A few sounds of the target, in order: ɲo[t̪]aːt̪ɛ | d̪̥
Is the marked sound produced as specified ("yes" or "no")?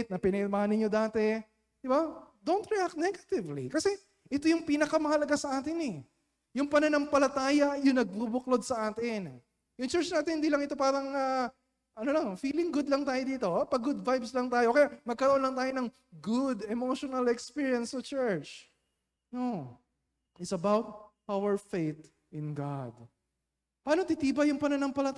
no